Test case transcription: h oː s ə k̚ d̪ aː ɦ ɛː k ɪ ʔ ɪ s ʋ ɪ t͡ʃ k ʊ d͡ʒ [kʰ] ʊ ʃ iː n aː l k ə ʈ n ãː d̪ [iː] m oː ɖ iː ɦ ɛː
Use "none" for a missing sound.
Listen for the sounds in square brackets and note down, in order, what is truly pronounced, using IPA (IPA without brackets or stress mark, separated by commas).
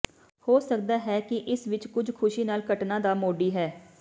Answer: kʰ, aː